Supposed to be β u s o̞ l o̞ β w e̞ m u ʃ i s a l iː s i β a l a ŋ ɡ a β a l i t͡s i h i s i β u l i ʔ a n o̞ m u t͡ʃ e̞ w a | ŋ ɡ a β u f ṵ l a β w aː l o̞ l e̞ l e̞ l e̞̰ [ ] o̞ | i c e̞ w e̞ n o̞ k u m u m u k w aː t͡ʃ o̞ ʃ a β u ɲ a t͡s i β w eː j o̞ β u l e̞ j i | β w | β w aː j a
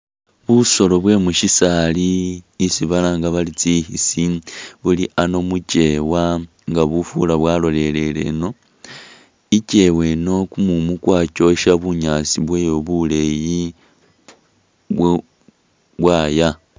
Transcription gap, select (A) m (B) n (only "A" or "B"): B